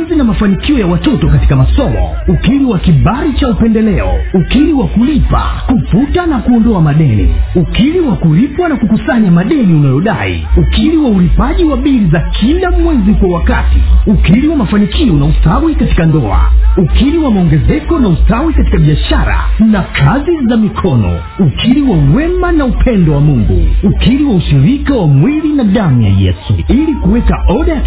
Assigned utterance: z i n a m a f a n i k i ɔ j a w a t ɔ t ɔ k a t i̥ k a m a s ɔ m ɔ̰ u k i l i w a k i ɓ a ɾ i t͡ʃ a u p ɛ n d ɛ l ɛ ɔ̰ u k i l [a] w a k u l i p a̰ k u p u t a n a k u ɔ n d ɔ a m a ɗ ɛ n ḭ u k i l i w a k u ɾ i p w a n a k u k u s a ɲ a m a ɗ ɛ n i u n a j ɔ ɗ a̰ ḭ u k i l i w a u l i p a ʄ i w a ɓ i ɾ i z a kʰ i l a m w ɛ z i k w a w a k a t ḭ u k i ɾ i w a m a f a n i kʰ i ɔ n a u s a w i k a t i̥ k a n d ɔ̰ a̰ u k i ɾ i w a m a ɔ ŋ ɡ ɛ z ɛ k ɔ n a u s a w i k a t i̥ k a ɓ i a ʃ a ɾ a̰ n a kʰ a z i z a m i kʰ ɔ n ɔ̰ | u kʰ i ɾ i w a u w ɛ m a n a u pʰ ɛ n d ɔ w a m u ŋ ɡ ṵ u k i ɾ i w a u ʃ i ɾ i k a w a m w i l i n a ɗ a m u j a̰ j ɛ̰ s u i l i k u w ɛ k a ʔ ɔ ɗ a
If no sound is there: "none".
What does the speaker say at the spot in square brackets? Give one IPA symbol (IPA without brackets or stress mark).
i